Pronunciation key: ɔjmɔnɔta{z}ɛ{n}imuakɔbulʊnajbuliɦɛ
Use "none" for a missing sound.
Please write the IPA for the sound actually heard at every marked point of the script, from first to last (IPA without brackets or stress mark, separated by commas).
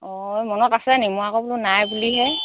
s, n